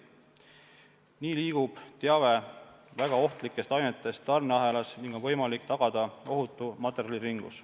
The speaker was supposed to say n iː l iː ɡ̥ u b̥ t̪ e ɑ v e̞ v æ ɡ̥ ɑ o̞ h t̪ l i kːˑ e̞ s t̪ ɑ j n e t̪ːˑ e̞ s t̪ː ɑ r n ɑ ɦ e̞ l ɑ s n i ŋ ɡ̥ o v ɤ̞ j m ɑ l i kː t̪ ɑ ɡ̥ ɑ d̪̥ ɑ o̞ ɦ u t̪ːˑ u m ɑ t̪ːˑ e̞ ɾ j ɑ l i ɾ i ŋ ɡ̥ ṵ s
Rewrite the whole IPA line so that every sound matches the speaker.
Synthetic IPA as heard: n iː l iː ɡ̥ u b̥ t̪ e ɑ v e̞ v æ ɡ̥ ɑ o̞ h t̪ l i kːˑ e̞ s t̪ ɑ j n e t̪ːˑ e̞ s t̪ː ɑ r n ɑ ɦ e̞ l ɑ s n i ŋ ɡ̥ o v ɤ̞ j m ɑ l i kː t̪ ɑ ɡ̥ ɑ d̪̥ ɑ o̞ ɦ u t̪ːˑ u m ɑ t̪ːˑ e̞ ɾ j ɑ l i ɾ i ŋ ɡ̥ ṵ s